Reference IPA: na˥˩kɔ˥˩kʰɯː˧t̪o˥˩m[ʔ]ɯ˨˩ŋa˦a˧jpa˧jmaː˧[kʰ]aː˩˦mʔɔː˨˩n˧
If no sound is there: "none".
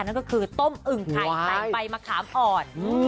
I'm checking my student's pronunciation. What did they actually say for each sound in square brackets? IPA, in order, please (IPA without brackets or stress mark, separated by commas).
ʔ, kʰ